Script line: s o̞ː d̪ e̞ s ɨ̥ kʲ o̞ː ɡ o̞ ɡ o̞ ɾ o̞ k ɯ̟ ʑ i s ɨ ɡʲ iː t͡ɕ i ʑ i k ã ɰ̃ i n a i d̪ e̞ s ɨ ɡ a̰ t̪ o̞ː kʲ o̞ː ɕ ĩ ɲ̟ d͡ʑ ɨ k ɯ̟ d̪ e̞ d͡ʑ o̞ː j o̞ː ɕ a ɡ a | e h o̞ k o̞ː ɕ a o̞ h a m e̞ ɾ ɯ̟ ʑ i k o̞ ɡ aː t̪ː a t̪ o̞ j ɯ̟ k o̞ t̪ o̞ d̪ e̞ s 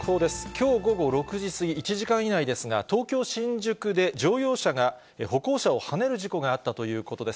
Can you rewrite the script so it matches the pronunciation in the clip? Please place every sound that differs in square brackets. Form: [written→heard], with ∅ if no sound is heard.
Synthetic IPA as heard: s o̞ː d̪ e̞ s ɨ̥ kʲ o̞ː ɡ o̞ ɡ o̞ ɾ o̞ k ɯ̟ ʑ i s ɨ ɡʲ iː t͡ɕ i ʑ i k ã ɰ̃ i n a i d̪ e̞ s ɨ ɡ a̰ t̪ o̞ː kʲ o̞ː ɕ ĩ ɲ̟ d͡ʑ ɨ k ɯ̟ d̪ e̞ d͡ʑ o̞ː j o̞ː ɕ a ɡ a | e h o̞ k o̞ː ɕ a o̞ h a [m→n] e̞ ɾ ɯ̟ ʑ i k o̞ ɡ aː t̪ː a t̪ o̞ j [ɯ̟→ɯ̟ː] k o̞ t̪ o̞ d̪ e̞ s